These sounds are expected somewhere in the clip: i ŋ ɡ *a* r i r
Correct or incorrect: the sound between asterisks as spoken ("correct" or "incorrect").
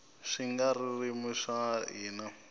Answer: correct